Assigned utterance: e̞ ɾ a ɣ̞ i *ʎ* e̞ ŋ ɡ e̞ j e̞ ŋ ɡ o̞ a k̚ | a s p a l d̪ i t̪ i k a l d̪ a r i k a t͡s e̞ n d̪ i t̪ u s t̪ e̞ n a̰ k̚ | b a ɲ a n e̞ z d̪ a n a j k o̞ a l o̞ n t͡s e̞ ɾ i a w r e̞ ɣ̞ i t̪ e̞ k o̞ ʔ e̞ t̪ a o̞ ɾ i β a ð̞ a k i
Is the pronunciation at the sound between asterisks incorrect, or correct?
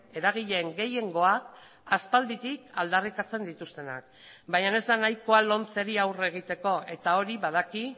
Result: correct